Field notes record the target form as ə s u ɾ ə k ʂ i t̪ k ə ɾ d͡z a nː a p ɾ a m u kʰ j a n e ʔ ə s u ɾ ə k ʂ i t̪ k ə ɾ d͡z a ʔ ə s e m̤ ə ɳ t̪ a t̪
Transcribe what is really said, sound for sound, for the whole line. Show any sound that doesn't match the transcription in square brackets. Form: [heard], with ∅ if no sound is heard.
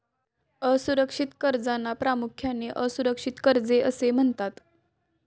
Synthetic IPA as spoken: ə s u ɾ ə k ʂ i t̪ k ə ɾ d͡z a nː a p ɾ a m u kʰ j a n e ʔ ə s u ɾ ə k ʂ i t̪ k ə ɾ d͡z [e] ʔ ə s e m̤ ə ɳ t̪ a t̪